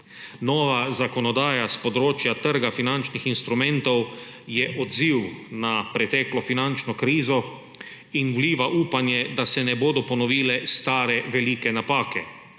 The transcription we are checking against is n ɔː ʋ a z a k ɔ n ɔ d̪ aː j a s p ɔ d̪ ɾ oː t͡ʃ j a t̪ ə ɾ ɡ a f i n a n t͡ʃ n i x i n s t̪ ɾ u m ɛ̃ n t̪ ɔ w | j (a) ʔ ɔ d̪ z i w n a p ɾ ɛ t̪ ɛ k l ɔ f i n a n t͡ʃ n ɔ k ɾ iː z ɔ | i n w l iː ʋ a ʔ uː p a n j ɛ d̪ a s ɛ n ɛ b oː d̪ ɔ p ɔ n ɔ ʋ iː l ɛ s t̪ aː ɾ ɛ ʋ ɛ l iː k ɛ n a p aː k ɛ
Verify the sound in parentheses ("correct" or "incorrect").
incorrect